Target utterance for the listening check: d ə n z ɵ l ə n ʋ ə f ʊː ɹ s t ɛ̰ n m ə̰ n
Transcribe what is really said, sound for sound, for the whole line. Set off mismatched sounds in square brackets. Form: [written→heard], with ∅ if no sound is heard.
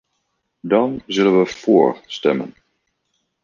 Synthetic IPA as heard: d [ə→ɑ] n z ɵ l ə n ʋ ə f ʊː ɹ s t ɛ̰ [n→∅] m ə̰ n